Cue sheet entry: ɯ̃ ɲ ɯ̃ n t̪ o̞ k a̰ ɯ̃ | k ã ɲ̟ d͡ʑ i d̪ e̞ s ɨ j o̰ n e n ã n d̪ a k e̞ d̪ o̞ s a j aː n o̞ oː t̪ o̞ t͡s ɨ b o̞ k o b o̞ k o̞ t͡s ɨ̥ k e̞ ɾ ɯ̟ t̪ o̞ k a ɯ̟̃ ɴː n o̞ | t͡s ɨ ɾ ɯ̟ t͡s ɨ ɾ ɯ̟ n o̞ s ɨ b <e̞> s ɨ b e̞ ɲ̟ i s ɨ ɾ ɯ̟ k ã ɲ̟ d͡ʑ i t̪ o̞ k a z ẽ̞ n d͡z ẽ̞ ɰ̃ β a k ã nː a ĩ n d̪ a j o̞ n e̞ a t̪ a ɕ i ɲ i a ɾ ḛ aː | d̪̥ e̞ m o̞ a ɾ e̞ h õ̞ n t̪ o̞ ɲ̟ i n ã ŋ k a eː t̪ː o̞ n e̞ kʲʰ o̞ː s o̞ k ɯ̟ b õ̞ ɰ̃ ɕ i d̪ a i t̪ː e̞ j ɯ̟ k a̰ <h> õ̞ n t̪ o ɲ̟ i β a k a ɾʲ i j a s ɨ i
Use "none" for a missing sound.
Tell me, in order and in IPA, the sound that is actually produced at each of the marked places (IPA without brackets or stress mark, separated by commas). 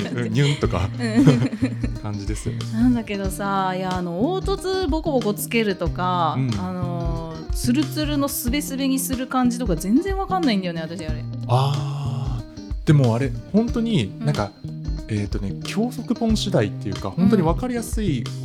e̞, h